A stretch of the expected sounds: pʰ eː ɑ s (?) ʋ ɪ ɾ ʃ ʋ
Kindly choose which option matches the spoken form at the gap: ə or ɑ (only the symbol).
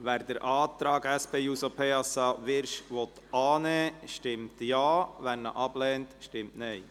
ɑ